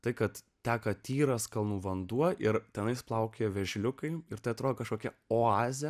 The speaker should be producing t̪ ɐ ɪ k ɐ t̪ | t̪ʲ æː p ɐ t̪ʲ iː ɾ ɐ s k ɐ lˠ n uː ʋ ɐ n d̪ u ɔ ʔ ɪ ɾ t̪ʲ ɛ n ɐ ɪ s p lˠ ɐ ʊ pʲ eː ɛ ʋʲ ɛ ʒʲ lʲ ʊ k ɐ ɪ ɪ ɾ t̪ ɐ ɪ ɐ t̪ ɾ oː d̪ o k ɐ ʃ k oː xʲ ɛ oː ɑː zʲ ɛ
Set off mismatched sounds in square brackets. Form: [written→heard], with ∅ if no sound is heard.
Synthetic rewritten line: t̪ ɐ ɪ k ɐ t̪ | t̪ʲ æː [p→k] ɐ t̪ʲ iː ɾ ɐ s k ɐ lˠ n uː ʋ ɐ n d̪ u ɔ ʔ ɪ ɾ t̪ʲ ɛ n ɐ ɪ s p lˠ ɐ ʊ [pʲ→kʲ] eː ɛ ʋʲ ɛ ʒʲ lʲ ʊ k ɐ ɪ ɪ ɾ t̪ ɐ ɪ ɐ t̪ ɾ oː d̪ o k ɐ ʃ k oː [xʲ→kʲ] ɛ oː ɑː zʲ ɛ